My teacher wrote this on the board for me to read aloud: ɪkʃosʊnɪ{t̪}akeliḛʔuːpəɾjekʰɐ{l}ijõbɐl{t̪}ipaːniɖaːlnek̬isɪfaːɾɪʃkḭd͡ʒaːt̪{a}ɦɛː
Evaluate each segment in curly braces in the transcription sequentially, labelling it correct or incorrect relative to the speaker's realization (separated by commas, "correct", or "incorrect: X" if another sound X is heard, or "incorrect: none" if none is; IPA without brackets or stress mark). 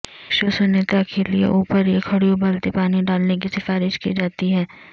correct, incorrect: ɽ, correct, incorrect: i